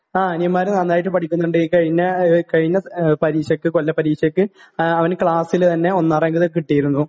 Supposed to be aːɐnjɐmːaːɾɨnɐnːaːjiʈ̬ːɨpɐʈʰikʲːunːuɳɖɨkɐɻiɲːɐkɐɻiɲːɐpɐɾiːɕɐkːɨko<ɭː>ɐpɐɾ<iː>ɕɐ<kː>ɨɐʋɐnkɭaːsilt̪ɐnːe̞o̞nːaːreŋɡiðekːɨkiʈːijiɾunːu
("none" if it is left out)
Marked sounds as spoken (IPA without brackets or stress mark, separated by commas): lː, iː, kː